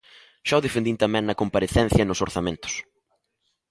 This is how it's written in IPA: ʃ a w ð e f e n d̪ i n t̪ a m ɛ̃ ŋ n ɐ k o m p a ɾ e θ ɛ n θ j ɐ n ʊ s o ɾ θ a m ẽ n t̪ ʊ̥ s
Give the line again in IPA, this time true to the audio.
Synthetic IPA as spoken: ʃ a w ð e f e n d̪ i n t̪ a m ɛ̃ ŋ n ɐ k o m p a ɾ e θ ɛ n θ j ɐ n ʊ s o ɾ θ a m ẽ n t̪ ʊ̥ s